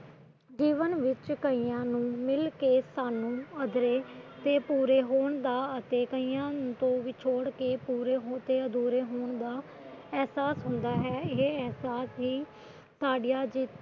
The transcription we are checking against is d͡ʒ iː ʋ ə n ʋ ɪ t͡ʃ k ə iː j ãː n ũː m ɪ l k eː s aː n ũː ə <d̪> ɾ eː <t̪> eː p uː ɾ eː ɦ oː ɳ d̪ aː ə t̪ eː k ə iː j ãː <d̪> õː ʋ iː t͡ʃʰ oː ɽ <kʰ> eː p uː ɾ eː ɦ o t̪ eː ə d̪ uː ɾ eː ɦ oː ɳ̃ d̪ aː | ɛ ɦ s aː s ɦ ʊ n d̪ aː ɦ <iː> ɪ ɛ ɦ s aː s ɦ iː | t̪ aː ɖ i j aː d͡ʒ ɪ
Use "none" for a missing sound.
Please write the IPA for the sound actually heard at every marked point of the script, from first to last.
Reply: d̪, t̪, t̪, k, ɛː

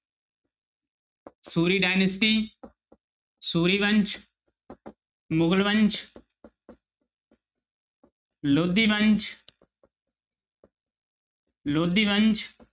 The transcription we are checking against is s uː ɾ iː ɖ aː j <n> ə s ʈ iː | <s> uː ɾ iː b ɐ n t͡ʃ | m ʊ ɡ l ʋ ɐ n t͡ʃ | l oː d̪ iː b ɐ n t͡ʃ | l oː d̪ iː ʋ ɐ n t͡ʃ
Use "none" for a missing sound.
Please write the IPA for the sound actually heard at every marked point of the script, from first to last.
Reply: n, s

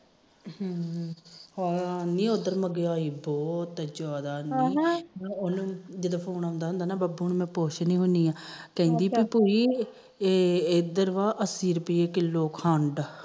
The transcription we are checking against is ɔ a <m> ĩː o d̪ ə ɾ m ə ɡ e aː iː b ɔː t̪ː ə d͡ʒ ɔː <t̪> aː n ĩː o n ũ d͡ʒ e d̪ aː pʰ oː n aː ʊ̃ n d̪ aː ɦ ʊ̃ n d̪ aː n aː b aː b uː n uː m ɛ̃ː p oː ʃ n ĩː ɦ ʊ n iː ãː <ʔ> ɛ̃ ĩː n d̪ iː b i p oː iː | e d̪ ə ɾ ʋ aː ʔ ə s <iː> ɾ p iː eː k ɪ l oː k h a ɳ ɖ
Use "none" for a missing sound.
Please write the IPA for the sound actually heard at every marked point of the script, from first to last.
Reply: n, d̪, k, iː

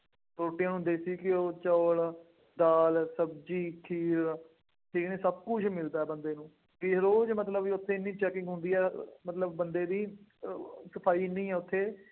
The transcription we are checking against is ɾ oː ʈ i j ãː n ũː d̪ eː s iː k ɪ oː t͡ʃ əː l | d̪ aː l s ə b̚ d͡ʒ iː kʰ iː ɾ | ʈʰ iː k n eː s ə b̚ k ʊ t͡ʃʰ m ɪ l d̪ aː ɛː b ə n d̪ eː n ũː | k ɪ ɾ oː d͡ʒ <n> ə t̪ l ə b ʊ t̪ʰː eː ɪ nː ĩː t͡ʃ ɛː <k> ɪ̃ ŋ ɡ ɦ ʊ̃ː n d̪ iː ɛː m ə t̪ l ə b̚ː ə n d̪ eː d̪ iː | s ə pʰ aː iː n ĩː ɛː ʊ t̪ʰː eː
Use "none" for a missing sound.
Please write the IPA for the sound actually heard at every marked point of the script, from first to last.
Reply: m, k

